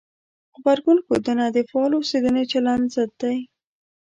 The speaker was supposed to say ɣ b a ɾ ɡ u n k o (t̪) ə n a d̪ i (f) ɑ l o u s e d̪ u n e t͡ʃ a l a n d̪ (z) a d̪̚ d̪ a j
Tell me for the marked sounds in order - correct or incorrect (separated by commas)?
incorrect, correct, correct